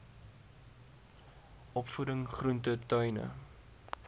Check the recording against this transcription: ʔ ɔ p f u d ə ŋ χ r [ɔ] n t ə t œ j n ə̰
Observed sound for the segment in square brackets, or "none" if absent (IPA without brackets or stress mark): u